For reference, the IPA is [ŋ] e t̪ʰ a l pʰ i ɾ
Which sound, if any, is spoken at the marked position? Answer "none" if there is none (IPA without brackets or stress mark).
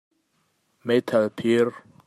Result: m